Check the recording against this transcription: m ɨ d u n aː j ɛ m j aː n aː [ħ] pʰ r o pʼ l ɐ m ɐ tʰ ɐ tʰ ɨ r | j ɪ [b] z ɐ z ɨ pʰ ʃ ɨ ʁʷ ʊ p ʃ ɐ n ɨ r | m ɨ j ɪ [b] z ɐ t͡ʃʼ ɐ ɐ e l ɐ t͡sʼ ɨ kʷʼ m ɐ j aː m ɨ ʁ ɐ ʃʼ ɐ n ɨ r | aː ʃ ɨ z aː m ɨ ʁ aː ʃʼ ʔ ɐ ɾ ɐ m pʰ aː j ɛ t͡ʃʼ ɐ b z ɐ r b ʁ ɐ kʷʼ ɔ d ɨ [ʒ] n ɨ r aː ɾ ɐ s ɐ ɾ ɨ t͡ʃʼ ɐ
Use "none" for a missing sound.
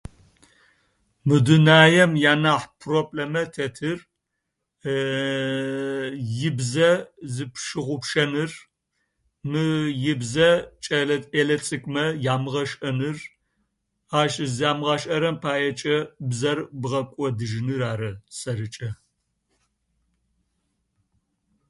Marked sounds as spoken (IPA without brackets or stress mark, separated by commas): ħ, b, b, ʒ